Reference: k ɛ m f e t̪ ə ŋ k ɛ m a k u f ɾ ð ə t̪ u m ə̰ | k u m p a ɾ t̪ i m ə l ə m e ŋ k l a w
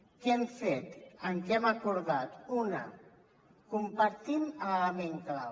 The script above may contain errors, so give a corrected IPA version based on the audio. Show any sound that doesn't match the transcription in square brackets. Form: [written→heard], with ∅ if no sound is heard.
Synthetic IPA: k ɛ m f e t̪ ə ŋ k ɛ m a k u [f→∅] ɾ ð [ə→a] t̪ u [m→n] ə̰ | k u m p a ɾ t̪ i m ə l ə m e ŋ k l a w